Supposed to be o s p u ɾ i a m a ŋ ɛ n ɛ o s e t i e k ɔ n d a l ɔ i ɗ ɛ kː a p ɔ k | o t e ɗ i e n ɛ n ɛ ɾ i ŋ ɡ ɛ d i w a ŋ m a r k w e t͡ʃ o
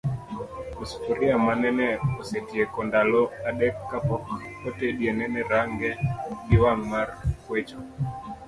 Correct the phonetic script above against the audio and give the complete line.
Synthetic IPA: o s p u ɾ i a m a n ɛ n ɛ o s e t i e k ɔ n d a l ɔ a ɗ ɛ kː a p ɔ k | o t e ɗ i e n ɛ n ɛ ɾ a ŋ ɡ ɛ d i w a ŋ m a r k w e t͡ʃ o